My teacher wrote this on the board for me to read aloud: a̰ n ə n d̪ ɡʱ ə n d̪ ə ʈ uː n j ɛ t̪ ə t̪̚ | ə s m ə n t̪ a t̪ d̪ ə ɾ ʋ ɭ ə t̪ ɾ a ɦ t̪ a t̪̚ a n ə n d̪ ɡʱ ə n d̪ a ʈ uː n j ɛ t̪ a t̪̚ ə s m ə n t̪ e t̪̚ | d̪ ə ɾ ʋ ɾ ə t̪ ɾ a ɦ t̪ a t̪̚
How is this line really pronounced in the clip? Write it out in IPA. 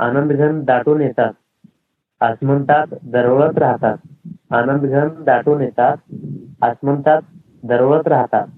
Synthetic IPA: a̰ n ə n d̪ ɡʱ ə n d̪ a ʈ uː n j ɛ t̪ a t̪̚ | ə s m ə n t̪ a t̪ d̪ ə ɾ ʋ ɭ ə t̪ ɾ a ɦ t̪ a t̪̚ a n ə n d̪ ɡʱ ə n d̪ a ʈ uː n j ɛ t̪ a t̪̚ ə s m ə n t̪ a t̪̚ | d̪ ə ɾ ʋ ɭ ə t̪ ɾ a ɦ t̪ a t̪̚